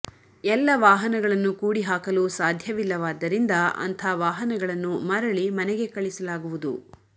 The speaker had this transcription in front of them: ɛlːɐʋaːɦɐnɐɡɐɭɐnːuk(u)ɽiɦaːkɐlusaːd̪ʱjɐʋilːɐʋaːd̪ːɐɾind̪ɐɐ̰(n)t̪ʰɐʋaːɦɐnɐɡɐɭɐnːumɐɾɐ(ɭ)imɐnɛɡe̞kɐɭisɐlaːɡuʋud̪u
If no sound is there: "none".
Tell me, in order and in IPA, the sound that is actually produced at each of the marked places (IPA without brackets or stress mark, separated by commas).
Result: uː, n, ɭ